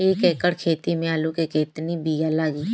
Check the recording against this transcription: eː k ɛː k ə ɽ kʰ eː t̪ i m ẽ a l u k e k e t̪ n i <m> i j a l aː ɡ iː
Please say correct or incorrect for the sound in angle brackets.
incorrect: b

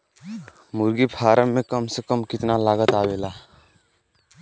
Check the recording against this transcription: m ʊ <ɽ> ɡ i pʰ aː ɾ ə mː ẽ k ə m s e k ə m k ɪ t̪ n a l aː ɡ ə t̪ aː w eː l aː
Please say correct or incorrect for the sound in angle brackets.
incorrect: ɾ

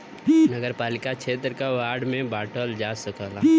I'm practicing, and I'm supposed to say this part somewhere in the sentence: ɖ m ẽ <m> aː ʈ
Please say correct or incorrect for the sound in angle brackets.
incorrect: b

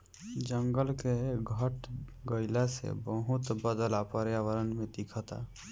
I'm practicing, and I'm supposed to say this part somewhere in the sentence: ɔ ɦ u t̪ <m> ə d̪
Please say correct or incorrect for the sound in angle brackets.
incorrect: b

